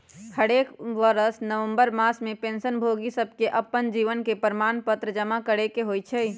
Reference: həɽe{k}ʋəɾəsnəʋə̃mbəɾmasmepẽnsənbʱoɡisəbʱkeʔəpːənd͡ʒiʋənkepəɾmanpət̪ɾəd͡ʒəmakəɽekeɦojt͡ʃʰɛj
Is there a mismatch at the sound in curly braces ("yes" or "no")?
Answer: no